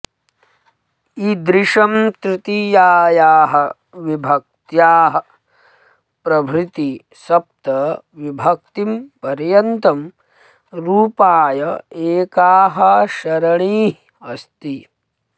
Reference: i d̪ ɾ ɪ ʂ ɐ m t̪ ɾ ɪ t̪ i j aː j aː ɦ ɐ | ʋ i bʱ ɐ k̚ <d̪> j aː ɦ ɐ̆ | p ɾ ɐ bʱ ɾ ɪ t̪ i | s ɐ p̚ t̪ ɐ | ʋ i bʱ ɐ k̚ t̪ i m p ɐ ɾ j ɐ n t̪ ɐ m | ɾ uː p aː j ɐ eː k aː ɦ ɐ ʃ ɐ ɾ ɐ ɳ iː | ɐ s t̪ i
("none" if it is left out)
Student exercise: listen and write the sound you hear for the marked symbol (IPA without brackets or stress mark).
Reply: t̪